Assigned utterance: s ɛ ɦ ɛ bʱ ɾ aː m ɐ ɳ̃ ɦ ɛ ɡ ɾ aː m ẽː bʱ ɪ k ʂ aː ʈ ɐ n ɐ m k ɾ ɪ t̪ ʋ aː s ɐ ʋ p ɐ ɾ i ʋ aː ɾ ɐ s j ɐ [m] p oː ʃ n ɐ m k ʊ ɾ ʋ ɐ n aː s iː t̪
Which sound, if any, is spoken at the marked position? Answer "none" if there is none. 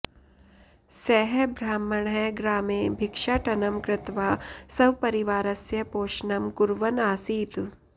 none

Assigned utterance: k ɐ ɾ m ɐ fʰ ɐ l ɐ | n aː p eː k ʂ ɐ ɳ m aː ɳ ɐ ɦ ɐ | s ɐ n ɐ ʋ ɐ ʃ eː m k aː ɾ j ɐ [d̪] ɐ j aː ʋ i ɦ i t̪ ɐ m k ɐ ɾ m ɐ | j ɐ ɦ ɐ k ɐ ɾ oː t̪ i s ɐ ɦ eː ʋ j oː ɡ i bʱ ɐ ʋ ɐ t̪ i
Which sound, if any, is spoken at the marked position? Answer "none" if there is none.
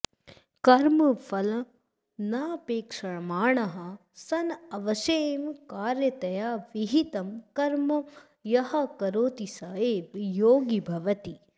t̪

